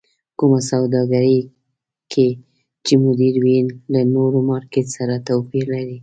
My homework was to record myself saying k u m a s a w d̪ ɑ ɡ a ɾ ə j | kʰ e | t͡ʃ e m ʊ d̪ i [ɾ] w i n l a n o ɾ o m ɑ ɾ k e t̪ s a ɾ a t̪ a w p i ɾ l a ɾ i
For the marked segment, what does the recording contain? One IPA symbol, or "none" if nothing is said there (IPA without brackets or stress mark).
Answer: ɾ